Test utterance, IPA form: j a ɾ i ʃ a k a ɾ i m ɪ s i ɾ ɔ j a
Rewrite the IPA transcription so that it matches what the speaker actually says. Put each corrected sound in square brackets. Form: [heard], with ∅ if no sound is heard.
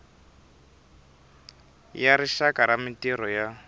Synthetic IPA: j a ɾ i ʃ a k a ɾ [a] m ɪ [t] i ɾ ɔ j a